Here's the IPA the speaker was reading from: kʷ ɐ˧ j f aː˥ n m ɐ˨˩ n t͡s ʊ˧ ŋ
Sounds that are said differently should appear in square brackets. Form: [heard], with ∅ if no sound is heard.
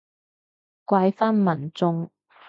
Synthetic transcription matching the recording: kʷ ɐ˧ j f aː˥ n m ɐ˨˩ n t͡s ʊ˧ ŋ